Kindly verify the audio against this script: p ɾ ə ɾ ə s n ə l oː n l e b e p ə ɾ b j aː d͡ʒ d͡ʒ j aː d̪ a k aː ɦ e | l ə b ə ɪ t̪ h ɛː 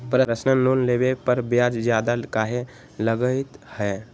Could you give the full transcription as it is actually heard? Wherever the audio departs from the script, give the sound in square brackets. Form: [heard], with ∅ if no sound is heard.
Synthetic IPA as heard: p ɾ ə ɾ ə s n ə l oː n l e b e p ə ɾ b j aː d͡ʒ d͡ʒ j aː d̪ a k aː ɦ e | l ə [ɡ] ə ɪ t̪ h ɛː